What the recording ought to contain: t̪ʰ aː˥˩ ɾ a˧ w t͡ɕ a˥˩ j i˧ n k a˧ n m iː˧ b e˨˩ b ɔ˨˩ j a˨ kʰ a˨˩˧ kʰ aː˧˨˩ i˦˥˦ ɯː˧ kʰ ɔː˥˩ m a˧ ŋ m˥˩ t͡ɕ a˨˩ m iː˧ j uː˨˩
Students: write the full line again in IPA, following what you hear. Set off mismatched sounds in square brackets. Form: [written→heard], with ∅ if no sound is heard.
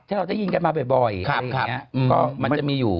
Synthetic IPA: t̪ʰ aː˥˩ ɾ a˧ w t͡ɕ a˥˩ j i˧ n k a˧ n m [iː˧→aː˧] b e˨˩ b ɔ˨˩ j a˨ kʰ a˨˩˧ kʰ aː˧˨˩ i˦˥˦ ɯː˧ [kʰ→k] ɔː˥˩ m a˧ [ŋ→n] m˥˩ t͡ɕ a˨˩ m iː˧ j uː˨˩

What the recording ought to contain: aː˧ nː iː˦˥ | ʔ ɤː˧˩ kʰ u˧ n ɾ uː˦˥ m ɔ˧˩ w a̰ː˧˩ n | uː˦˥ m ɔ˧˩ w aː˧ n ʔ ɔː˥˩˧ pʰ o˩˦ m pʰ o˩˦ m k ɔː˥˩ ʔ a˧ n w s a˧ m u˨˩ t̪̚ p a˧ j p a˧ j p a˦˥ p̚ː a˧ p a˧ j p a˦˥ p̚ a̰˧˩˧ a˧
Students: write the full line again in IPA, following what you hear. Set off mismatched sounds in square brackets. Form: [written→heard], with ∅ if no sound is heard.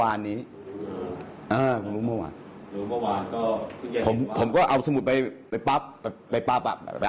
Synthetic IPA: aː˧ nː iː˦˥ | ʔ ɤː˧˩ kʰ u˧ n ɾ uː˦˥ m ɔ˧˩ w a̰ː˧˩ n | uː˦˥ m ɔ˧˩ w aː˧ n [ʔ→k] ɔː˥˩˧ pʰ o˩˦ m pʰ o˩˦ m k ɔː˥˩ ʔ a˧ [n→∅] w s a˧ m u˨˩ t̪̚ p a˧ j p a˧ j p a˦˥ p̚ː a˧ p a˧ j p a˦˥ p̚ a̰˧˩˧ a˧

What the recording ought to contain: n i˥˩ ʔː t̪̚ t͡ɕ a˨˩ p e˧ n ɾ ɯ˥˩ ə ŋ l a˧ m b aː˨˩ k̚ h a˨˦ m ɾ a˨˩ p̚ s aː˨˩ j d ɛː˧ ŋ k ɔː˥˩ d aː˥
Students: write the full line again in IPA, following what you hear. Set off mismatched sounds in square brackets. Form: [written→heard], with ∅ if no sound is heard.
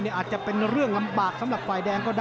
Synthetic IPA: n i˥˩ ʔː t̪̚ t͡ɕ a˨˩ p e˧ n ɾ ɯ˥˩ ə ŋ l a˧ m b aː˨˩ k̚ [h→s] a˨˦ m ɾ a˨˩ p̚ [s→f] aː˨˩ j d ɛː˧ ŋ k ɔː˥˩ d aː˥

